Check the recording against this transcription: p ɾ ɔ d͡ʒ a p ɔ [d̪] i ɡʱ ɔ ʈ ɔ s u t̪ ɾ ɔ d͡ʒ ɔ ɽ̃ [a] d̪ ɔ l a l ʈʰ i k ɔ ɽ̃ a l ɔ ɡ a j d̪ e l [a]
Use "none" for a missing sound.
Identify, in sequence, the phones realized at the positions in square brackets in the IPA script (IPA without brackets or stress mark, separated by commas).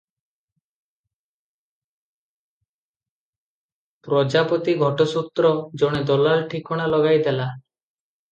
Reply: t̪, e, a